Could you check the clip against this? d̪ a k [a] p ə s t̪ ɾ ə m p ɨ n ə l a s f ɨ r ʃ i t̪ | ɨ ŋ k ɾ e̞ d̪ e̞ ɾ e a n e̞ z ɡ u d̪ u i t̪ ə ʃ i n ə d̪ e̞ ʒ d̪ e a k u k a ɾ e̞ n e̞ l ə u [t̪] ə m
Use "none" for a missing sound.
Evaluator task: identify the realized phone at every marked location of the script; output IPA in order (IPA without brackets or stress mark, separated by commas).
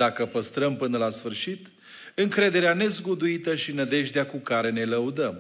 ə, d̪